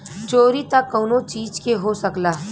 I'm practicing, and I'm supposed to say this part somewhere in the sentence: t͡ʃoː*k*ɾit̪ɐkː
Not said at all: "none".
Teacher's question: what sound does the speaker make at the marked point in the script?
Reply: none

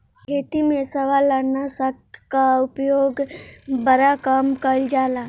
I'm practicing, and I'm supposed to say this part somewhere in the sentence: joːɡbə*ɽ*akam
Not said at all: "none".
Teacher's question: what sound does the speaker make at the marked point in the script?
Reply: ɾ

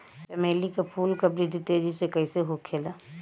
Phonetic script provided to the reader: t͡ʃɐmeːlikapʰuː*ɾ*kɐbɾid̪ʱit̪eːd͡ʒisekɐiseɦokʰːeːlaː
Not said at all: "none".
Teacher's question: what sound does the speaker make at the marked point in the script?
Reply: l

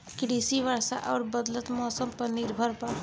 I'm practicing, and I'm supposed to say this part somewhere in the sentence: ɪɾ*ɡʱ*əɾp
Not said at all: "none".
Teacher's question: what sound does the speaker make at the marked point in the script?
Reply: bʱ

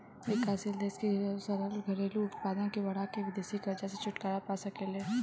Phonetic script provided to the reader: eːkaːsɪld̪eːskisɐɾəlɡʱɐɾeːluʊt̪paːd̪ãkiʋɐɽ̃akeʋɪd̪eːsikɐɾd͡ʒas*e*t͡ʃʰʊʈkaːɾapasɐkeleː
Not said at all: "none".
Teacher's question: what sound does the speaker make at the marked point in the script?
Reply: e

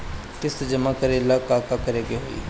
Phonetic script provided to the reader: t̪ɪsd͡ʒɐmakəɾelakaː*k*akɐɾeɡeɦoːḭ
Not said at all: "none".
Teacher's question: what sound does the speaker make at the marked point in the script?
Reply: k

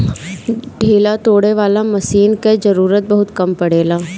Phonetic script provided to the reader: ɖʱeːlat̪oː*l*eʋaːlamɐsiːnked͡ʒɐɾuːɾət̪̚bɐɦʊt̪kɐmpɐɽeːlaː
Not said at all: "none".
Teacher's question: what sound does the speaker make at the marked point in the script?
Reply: ɽ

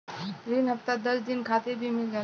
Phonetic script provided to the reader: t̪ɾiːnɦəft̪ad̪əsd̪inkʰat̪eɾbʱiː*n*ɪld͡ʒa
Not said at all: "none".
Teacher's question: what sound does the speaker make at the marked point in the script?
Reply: m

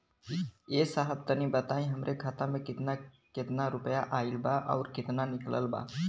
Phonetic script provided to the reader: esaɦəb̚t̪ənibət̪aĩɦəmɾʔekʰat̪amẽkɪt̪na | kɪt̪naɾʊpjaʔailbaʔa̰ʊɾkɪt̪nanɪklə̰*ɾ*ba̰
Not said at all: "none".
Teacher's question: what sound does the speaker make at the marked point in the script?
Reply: l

